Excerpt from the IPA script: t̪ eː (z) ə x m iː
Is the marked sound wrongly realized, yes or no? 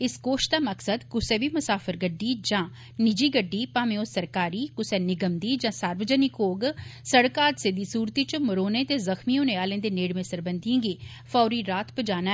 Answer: no